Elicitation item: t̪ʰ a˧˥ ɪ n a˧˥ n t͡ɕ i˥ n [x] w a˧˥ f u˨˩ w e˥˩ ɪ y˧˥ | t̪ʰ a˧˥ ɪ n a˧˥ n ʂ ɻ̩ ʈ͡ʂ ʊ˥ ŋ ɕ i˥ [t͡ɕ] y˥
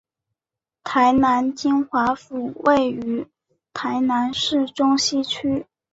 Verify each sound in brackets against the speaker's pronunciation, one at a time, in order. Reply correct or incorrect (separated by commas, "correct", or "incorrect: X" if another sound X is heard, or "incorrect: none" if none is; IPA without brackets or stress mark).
correct, incorrect: t͡ɕʰ